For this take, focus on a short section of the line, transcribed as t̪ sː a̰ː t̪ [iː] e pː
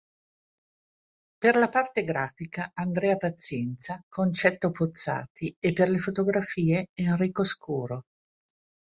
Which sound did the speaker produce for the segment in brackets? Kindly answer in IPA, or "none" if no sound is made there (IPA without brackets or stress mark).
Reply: i